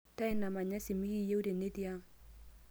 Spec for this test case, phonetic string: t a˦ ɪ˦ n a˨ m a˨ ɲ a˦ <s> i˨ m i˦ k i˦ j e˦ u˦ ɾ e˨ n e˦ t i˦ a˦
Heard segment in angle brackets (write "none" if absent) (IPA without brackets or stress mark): s